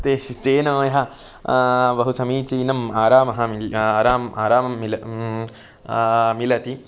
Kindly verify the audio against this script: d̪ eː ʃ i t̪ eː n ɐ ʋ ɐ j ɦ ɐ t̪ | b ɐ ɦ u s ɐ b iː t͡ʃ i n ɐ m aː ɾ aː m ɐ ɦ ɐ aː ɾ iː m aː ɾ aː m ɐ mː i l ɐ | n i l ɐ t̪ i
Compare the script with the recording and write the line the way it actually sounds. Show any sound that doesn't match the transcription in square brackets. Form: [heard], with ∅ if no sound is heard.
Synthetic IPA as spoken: [t̪] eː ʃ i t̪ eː n ɐ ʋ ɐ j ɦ ɐ [∅] | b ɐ ɦ u s ɐ [m] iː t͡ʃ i n ɐ m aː ɾ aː m ɐ ɦ ɐ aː ɾ [aː] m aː ɾ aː m ɐ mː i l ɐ | [m] i l ɐ t̪ i